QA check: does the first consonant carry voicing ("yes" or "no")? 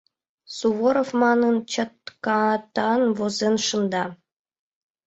no